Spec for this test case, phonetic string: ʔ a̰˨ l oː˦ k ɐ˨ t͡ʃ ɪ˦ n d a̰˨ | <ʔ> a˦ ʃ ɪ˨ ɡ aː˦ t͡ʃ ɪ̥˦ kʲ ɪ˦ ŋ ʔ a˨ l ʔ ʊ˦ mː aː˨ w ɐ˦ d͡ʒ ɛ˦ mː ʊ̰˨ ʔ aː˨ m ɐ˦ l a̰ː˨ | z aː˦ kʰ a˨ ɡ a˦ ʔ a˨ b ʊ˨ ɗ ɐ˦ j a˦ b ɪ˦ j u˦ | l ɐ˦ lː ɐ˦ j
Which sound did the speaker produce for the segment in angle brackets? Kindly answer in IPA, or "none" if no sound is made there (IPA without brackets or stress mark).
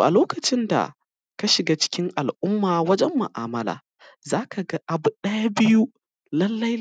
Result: k